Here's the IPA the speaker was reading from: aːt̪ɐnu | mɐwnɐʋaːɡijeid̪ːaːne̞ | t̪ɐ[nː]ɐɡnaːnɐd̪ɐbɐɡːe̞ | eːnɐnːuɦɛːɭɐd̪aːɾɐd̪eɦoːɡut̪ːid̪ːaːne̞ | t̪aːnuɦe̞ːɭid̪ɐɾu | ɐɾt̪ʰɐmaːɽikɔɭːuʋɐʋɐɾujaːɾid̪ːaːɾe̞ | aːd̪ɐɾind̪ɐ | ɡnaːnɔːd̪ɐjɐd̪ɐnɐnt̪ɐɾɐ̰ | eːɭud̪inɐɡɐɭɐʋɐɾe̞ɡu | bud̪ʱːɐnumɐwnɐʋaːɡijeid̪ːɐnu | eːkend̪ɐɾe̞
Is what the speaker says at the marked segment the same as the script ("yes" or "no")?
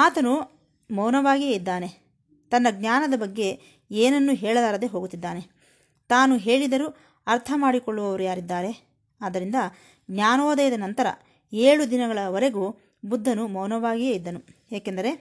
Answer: yes